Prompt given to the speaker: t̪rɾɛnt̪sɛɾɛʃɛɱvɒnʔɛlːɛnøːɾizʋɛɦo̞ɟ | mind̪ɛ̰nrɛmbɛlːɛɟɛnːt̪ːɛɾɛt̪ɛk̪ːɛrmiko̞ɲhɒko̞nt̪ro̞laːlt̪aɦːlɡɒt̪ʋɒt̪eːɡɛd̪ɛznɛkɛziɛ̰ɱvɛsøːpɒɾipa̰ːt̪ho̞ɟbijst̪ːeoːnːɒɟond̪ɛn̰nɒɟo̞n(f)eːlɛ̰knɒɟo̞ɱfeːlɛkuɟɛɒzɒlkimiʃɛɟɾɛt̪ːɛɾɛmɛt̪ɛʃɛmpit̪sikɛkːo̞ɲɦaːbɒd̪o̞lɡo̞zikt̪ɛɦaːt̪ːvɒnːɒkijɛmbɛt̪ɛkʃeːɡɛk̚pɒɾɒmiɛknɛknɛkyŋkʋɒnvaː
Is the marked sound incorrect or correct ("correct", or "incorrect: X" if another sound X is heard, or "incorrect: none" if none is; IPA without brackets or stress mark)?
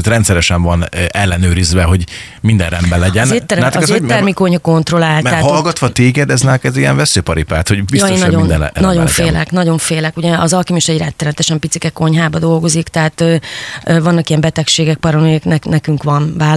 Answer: correct